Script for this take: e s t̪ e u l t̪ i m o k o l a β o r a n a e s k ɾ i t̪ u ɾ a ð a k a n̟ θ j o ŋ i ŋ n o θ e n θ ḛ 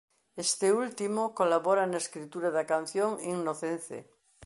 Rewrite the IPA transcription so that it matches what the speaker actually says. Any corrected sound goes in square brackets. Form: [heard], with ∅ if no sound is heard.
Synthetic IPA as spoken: e s t̪ e u l t̪ i m o k o l a β o [ɾ] a n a e s k ɾ i t̪ u ɾ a ð a k a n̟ θ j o ŋ i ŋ n o θ e n θ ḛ